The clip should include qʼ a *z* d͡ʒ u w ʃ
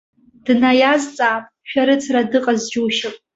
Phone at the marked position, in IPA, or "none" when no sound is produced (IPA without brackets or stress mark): z